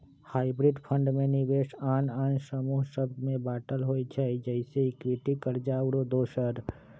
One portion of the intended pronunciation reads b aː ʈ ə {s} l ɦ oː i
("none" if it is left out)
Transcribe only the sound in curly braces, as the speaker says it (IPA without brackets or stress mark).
none